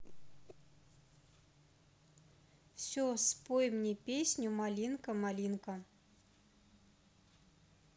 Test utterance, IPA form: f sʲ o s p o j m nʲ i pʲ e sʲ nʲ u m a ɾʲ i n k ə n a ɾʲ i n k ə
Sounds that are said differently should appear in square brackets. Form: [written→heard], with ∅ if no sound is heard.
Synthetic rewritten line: f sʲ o s p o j m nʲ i pʲ e sʲ nʲ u m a [ɾʲ→lʲ] i n k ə [n→m] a [ɾʲ→lʲ] i n k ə